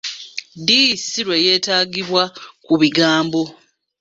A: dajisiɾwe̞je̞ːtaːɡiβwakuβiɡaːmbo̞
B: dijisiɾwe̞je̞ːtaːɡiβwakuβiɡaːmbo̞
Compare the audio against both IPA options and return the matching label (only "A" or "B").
B